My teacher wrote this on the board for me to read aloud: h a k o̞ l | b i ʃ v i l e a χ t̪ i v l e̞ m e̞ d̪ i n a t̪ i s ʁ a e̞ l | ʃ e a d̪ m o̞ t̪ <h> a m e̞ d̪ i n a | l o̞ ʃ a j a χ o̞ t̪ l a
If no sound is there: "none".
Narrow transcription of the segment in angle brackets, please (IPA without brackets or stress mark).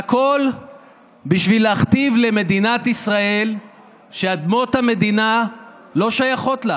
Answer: h